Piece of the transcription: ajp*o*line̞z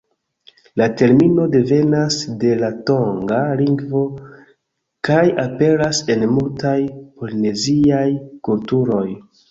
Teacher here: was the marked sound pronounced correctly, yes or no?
yes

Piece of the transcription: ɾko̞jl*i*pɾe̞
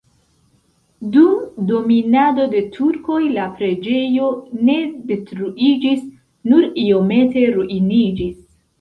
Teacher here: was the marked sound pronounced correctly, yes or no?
no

